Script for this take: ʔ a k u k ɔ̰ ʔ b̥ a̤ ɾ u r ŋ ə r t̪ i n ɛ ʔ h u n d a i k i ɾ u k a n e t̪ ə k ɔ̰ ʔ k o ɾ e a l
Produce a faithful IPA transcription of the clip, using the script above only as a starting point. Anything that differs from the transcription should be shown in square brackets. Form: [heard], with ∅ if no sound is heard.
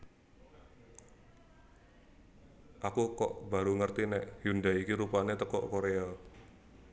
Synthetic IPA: ʔ a k u k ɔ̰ ʔ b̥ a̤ ɾ u [∅] ŋ ə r t̪ i n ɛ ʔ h u n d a i k i ɾ u [p] a n e t̪ ə k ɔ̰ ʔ k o ɾ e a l